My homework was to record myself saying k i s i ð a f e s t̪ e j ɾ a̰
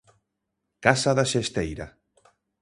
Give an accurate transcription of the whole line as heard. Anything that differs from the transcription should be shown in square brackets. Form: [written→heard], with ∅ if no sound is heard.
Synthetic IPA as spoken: k [i→a] s [i→a] ð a [f→ʃ] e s t̪ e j ɾ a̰